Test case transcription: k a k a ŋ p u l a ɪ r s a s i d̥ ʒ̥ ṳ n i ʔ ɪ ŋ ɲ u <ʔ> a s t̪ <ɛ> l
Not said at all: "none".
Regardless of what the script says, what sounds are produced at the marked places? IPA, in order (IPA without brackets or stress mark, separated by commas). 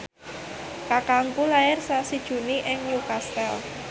k, ɛ